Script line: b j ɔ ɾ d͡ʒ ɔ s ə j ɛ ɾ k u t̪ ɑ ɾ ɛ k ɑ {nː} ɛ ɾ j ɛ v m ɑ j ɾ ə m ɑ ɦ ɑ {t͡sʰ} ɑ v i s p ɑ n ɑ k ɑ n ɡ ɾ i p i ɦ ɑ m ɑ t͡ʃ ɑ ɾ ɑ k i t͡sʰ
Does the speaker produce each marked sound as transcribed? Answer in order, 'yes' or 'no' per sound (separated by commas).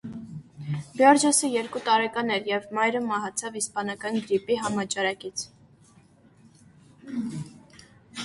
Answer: no, yes